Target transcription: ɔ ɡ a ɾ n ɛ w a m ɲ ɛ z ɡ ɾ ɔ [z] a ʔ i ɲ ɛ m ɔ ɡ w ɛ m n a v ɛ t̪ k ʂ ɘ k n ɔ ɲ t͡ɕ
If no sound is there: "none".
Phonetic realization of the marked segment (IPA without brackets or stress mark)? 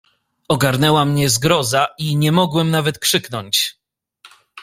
z